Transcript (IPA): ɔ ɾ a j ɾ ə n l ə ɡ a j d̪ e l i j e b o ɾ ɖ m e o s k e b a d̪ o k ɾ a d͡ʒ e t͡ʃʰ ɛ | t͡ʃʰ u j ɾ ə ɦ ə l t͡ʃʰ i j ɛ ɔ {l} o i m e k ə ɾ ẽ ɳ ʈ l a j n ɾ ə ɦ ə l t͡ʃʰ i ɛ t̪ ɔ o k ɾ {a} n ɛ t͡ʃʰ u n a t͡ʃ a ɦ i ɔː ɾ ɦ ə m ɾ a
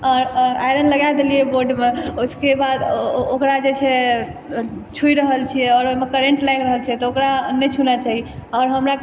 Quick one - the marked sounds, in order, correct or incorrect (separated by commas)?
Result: incorrect, correct